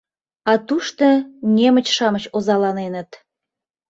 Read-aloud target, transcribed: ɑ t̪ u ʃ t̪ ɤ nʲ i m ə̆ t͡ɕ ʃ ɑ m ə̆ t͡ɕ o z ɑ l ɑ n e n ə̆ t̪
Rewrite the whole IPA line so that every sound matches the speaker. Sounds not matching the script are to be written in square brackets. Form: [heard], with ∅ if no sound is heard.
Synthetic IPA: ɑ t̪ u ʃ t̪ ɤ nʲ [e] m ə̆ t͡ɕ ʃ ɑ m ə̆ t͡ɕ o z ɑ l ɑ n e n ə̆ t̪